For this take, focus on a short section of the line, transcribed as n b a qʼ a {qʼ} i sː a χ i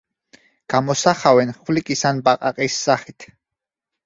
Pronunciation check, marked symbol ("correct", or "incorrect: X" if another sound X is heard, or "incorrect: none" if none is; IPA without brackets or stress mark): correct